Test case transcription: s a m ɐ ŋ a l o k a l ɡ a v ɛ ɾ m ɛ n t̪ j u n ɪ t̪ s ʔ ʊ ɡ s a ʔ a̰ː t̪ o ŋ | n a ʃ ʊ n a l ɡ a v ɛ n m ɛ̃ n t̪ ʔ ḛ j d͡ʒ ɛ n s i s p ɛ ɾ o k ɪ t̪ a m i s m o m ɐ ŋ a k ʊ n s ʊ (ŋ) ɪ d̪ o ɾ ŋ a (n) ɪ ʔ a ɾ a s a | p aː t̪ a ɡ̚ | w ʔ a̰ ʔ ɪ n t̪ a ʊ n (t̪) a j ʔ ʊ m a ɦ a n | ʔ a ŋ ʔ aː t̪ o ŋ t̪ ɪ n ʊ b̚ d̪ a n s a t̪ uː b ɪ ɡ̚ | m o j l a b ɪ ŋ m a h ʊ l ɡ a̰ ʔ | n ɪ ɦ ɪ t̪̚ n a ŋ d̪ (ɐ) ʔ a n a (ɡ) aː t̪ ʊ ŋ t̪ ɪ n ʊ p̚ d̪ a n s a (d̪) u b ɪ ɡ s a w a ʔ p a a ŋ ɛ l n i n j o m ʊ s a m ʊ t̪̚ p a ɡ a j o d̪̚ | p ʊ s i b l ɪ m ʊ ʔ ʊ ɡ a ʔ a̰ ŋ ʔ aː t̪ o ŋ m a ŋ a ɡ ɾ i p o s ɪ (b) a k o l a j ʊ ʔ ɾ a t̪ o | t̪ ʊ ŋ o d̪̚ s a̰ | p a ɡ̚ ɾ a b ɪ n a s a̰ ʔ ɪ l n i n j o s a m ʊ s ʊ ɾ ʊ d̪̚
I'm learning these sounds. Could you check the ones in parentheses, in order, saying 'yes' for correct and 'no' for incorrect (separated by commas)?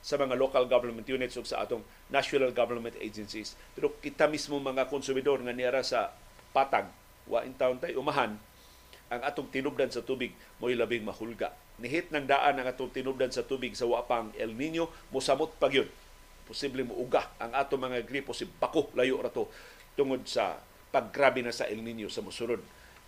no, yes, yes, no, no, no, yes